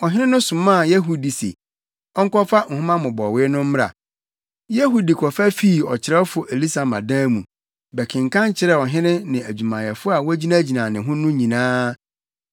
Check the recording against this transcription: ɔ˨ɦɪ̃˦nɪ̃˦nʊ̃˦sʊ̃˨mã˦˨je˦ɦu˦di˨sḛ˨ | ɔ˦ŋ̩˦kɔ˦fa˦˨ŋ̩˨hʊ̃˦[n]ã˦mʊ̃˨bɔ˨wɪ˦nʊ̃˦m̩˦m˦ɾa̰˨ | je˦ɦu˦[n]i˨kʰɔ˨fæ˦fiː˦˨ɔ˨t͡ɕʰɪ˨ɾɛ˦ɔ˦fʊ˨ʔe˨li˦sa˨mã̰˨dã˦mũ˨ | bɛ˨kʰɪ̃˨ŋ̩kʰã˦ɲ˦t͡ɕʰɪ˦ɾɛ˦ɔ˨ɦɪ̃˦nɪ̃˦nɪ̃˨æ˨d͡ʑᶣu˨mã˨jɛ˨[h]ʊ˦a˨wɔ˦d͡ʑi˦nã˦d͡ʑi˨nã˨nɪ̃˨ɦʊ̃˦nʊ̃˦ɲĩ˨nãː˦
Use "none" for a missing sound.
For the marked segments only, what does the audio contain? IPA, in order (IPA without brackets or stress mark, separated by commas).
m, d, f